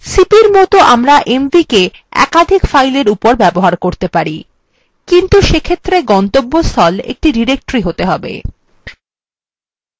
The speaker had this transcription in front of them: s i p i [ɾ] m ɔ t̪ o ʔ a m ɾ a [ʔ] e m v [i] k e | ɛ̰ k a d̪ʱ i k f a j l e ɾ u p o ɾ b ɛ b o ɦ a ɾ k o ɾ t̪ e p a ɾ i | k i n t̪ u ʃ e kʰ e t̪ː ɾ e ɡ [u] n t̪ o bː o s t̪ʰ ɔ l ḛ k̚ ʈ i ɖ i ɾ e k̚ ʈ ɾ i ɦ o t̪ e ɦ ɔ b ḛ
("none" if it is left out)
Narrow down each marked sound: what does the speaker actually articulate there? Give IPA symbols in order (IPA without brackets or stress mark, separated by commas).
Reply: ɾ, ʔ, i, ɔ